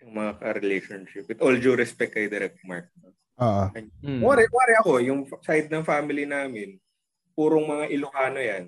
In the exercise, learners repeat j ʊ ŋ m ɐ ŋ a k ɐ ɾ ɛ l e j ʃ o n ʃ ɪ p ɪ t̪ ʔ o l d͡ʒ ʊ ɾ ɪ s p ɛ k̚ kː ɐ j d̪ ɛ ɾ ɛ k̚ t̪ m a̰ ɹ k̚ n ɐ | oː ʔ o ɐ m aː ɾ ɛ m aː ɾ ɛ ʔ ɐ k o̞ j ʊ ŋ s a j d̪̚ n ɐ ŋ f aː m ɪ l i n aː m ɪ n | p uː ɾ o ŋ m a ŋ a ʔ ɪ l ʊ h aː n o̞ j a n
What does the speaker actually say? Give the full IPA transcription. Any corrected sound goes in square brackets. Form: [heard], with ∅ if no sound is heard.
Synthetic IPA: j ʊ ŋ m ɐ ŋ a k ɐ ɾ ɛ l e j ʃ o n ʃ ɪ p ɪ t̪ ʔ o l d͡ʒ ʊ ɾ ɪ s p ɛ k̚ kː ɐ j d̪ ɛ ɾ ɛ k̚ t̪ m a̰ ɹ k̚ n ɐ | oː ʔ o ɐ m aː ɾ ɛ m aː ɾ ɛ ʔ ɐ k o̞ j ʊ ŋ s a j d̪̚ n ɐ ŋ f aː m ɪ l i n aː m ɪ n | p uː ɾ o ŋ m [ɐ] ŋ a ʔ ɪ l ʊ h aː n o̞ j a n